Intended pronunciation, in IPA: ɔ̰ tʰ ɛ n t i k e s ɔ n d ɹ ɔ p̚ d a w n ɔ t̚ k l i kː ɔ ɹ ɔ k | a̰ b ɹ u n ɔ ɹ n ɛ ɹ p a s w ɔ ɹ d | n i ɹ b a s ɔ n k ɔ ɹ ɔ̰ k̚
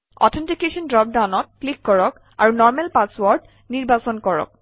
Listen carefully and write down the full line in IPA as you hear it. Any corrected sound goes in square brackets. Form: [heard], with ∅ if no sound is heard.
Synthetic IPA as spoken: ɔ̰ tʰ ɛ n t i k e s ɔ n d ɹ ɔ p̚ d a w n ɔ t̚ k l i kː ɔ ɹ ɔ k | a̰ [∅] ɹ u n ɔ ɹ [m] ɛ [l] p a s w ɔ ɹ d | n i ɹ b a s ɔ n k ɔ ɹ ɔ̰ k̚